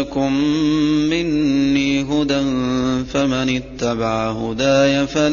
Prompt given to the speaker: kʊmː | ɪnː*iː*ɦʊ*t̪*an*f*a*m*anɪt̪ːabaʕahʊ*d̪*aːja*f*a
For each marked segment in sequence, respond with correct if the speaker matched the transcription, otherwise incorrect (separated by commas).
correct, incorrect, correct, correct, correct, correct